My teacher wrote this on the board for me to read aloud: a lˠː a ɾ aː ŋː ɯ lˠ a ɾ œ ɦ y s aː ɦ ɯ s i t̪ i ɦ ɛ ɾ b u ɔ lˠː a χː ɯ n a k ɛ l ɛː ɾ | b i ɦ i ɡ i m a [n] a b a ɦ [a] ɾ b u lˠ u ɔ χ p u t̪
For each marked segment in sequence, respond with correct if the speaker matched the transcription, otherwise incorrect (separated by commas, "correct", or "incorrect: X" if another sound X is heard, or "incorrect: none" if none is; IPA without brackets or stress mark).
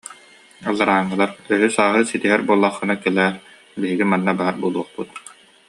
incorrect: nː, correct